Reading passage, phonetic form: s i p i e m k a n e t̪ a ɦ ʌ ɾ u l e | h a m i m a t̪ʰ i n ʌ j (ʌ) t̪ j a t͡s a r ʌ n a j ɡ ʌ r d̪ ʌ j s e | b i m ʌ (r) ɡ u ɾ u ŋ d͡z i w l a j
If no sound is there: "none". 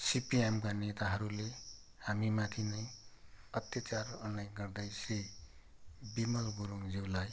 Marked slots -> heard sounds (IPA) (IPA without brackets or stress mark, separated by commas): ʌ, l